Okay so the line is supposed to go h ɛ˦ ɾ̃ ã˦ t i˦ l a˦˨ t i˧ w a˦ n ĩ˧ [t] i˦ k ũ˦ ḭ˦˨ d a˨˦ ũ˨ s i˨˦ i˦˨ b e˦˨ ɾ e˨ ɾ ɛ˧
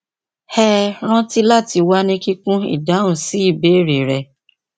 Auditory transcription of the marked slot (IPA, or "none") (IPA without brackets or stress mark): k